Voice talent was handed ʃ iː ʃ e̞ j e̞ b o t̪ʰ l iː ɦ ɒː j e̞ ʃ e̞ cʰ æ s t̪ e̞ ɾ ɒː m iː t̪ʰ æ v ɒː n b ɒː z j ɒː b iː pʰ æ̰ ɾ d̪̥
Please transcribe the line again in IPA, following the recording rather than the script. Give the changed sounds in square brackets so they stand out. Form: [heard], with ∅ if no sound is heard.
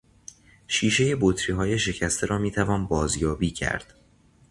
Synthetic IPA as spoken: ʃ iː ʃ e̞ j e̞ b o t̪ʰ [ɾ] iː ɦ ɒː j e̞ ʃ e̞ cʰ æ s t̪ e̞ ɾ ɒː m iː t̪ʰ æ v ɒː n b ɒː z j ɒː b iː [cʰ] æ̰ ɾ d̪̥